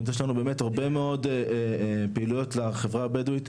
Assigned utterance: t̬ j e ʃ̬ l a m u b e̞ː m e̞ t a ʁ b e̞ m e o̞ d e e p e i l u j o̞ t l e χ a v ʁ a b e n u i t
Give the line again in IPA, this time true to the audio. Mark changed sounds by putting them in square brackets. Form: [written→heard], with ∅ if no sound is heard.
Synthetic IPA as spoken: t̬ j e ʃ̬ l a [m→n] u b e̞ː m e̞ t a ʁ b e̞ m e o̞ d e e p e i l u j o̞ t l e χ [a→e] v ʁ a b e [n→d] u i t